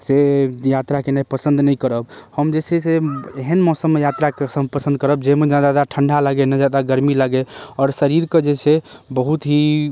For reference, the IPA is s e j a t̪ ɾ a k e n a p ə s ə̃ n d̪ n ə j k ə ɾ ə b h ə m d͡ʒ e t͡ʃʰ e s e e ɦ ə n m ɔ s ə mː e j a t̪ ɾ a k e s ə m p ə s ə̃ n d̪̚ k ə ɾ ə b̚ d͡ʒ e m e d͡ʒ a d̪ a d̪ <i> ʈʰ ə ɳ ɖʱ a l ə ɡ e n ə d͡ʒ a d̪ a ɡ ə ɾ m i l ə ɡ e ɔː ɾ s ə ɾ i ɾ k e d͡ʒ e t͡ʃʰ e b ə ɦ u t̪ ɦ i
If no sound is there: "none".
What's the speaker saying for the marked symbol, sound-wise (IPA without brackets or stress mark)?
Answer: a